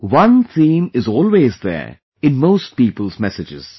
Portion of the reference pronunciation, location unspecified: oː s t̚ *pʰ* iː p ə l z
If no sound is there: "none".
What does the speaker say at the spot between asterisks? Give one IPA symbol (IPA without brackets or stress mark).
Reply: p